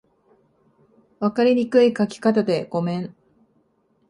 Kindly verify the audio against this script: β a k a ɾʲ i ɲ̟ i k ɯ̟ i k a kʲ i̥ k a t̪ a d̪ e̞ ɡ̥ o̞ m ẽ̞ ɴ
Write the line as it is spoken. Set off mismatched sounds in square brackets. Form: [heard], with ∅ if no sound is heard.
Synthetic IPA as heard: β a k a ɾʲ i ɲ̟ i k ɯ̟ i k a kʲ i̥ k a t̪ a d̪ e̞ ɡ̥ o̞ m ẽ̞ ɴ